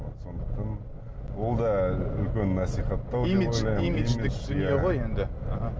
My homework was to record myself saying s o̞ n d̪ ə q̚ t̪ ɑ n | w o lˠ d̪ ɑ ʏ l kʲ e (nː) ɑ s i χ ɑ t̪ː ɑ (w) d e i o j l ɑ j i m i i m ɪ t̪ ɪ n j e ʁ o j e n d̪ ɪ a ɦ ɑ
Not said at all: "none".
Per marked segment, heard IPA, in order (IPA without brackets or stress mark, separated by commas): nː, w